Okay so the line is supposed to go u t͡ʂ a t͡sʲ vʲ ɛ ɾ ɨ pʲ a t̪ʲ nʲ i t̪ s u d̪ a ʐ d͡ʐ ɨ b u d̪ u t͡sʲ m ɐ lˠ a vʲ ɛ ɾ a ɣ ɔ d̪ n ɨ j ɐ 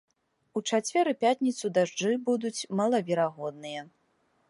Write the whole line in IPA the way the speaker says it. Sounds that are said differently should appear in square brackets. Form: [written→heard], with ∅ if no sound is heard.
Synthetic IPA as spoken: u t͡ʂ a t͡sʲ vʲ ɛ ɾ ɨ pʲ a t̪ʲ nʲ i t̪ s u d̪ a ʐ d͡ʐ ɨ b u d̪ u t͡sʲ m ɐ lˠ [a→ɐ] vʲ ɛ ɾ a ɣ ɔ d̪ n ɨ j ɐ

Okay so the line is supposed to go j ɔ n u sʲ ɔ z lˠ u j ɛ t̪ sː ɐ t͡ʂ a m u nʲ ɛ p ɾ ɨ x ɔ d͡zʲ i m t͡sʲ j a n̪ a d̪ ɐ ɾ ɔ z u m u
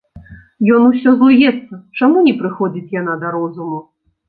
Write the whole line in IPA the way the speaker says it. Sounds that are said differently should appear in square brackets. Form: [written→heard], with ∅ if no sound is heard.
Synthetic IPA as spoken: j ɔ n u sʲ ɔ z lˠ u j ɛ t̪ sː ɐ t͡ʂ a m u nʲ ɛ p ɾ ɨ x ɔ d͡zʲ i [m→∅] t͡sʲ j a n̪ a d̪ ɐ ɾ ɔ z u m u

